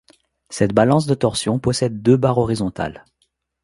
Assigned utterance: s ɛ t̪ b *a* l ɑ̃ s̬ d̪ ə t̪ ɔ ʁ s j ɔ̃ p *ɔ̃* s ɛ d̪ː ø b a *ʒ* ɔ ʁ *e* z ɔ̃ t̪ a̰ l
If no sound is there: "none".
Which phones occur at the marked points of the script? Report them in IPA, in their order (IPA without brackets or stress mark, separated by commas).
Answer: a, ɔ, ʁ, i